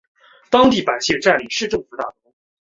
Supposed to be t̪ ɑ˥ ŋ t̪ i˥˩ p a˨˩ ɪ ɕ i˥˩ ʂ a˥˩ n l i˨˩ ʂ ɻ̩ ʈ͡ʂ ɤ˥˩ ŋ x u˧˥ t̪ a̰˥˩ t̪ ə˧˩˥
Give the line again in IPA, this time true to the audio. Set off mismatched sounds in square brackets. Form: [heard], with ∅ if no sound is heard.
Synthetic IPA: t̪ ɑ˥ ŋ t̪ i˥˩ p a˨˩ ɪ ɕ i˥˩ [ʈ͡ʂ] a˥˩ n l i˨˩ ʂ ɻ̩ ʈ͡ʂ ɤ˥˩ ŋ [f] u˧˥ t̪ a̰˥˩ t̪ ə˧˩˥